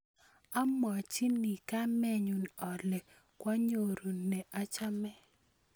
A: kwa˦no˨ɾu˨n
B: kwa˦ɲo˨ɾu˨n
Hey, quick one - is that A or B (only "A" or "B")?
B